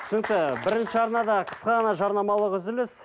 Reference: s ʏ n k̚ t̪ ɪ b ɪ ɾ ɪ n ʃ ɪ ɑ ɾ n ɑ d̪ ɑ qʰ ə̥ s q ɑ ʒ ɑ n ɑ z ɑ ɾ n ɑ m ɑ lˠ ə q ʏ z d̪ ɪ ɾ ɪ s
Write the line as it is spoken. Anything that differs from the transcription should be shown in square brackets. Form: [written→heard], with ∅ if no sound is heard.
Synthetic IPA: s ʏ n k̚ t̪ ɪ b ɪ ɾ ɪ n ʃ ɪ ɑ ɾ n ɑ d̪ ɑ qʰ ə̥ s q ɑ [ʒ→ʁ] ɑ n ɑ [z→ʒ] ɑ ɾ n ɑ m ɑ lˠ ə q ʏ z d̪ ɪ [ɾ→l] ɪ s